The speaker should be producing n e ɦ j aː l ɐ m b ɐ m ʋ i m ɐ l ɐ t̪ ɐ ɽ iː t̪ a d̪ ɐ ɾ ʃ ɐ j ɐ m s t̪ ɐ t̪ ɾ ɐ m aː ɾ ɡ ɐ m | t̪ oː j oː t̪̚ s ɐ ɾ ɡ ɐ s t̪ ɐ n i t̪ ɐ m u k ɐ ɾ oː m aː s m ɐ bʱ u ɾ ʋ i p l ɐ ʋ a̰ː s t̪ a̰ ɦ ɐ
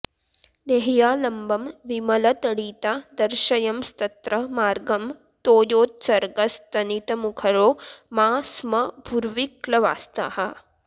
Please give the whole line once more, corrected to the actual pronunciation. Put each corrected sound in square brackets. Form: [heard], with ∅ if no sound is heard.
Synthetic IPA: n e ɦ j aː l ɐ m b ɐ m ʋ i m ɐ l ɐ t̪ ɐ ɽ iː t̪ a d̪ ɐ ɾ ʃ ɐ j ɐ m s t̪ ɐ t̪ ɾ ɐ m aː ɾ ɡ ɐ m | t̪ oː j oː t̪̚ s ɐ ɾ ɡ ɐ s t̪ ɐ n i t̪ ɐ m u [kʰ] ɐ ɾ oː m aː s m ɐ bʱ u ɾ ʋ i [k] l ɐ ʋ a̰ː s t̪ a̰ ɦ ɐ

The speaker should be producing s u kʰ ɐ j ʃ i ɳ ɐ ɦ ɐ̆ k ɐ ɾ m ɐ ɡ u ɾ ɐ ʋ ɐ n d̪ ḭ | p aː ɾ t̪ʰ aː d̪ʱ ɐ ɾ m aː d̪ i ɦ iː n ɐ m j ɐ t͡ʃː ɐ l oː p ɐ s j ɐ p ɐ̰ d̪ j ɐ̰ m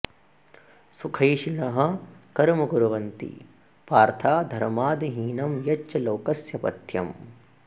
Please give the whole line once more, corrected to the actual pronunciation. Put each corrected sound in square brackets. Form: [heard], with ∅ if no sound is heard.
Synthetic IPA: s u kʰ ɐ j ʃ i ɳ ɐ ɦ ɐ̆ k ɐ ɾ m ɐ ɡ u ɾ ɐ ʋ ɐ n [t̪] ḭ | p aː ɾ t̪ʰ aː d̪ʱ ɐ ɾ m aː d̪ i ɦ iː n ɐ m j ɐ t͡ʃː ɐ l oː [k] ɐ s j ɐ p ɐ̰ [t̪] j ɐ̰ m

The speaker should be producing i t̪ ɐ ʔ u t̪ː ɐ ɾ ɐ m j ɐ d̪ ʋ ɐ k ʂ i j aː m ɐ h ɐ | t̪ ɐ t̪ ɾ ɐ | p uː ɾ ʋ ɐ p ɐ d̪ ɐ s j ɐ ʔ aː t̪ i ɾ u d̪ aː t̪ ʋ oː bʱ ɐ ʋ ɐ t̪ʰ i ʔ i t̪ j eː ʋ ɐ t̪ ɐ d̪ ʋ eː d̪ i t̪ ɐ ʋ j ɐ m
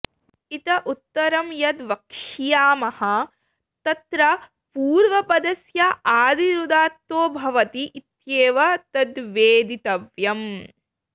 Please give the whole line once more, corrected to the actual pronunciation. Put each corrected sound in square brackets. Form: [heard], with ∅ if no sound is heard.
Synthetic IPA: i t̪ ɐ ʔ u t̪ː ɐ ɾ ɐ m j ɐ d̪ ʋ ɐ k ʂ i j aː m ɐ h ɐ | t̪ ɐ t̪ ɾ ɐ | p uː ɾ ʋ ɐ p ɐ d̪ ɐ s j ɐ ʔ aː [d̪] i ɾ u d̪ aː t̪ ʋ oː bʱ ɐ ʋ ɐ [t̪] i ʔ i t̪ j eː ʋ ɐ t̪ ɐ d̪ ʋ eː d̪ i t̪ ɐ ʋ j ɐ m

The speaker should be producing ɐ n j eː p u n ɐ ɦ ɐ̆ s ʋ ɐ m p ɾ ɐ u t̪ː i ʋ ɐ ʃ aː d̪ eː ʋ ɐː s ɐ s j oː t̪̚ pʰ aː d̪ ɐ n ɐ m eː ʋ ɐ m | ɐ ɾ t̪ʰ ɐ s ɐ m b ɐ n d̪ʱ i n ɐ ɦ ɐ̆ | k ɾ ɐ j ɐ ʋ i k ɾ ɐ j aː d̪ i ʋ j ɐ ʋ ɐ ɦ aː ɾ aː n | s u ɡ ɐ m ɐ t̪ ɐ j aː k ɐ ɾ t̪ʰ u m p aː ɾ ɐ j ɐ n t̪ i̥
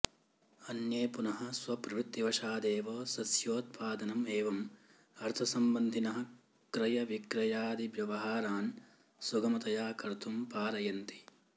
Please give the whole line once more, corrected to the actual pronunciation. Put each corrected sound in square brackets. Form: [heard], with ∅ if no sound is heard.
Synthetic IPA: ɐ n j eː p u n ɐ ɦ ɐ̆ s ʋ ɐ [∅] p ɾ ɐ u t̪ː i ʋ ɐ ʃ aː d̪ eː ʋ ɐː s ɐ s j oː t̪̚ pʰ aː d̪ ɐ n ɐ m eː ʋ ɐ m | ɐ ɾ t̪ʰ ɐ s ɐ m b ɐ n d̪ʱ i n ɐ ɦ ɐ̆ | k ɾ ɐ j ɐ ʋ i k ɾ ɐ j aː d̪ i ʋ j ɐ ʋ ɐ ɦ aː ɾ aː n | s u ɡ ɐ m ɐ t̪ ɐ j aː k ɐ ɾ t̪ʰ u m p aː ɾ ɐ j ɐ n t̪ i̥

